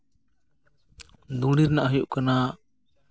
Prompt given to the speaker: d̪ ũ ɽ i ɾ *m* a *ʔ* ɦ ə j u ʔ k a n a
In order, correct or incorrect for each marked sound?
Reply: incorrect, correct

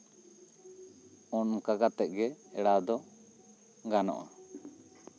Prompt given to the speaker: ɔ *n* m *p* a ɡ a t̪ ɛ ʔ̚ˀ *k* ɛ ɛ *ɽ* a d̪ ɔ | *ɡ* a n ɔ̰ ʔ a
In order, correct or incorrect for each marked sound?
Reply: correct, incorrect, incorrect, correct, correct

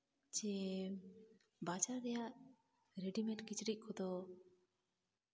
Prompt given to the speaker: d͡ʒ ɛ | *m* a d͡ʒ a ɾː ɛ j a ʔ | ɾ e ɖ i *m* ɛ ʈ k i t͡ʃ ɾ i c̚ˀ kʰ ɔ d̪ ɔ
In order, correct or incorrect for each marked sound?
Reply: incorrect, correct

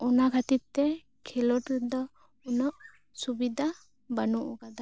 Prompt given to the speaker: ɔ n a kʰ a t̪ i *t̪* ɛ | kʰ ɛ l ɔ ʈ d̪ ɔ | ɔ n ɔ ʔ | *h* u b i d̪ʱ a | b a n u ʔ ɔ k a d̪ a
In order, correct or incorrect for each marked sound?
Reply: correct, incorrect

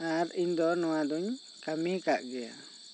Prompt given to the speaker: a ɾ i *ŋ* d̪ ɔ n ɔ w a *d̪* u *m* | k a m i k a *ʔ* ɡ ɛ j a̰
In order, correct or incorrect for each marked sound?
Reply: incorrect, correct, incorrect, correct

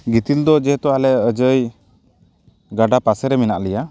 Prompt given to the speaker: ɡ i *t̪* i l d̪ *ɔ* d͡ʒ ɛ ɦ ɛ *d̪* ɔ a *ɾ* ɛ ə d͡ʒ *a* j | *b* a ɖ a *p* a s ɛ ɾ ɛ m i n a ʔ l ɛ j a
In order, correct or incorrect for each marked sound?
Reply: correct, correct, incorrect, incorrect, incorrect, incorrect, correct

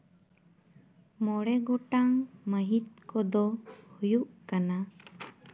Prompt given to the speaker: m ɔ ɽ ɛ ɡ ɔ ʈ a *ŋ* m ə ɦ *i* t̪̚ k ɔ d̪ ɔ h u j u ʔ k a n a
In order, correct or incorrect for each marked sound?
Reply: correct, correct

